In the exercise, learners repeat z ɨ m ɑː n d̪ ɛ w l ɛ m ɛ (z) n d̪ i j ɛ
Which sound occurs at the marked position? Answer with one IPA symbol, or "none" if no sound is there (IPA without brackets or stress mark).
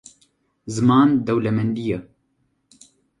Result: none